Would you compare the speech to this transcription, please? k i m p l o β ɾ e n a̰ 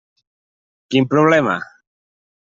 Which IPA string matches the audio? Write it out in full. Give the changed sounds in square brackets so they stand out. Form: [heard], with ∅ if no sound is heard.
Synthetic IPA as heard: k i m p [ɾ] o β [l] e [m] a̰